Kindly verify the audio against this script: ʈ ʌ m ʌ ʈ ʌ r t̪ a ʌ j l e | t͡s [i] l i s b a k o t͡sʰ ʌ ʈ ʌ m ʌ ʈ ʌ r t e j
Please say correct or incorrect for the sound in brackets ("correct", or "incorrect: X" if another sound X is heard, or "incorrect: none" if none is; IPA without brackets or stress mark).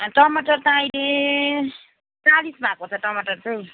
incorrect: a